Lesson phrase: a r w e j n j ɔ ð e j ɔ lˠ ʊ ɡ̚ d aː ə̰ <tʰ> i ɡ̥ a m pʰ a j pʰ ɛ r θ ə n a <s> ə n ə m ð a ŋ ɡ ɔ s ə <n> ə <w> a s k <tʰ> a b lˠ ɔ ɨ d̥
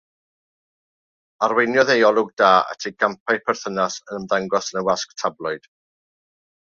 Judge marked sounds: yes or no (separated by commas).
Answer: yes, yes, yes, yes, yes